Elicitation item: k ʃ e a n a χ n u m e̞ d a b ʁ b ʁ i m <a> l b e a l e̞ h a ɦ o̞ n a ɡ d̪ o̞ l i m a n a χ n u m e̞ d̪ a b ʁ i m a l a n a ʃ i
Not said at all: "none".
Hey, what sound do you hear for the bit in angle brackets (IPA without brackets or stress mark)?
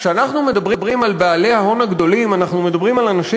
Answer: a